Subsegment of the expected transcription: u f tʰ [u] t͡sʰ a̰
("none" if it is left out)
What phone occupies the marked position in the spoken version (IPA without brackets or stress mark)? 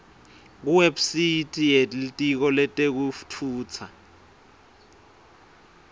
uː